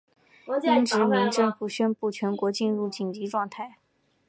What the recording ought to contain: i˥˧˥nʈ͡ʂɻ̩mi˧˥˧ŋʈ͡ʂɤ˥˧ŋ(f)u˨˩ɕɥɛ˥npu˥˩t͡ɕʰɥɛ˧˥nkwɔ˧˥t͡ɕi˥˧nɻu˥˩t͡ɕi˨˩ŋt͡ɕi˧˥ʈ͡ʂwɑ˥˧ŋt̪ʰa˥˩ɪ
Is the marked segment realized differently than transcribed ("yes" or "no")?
no